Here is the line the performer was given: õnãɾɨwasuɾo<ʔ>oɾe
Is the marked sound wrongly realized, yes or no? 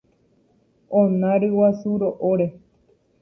no